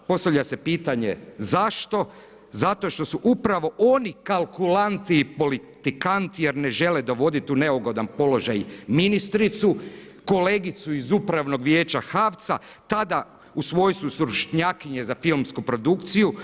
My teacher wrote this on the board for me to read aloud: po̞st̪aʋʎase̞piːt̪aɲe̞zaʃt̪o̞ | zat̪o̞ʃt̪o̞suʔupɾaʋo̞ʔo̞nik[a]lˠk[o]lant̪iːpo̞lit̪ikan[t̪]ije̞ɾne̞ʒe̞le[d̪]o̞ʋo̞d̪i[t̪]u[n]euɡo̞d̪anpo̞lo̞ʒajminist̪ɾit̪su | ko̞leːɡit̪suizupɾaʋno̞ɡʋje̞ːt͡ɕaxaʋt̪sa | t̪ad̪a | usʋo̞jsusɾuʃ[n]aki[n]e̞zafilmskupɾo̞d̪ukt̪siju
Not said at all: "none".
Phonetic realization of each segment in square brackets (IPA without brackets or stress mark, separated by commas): a, u, t̪, d̪, t̪, n, ɲ, ɲ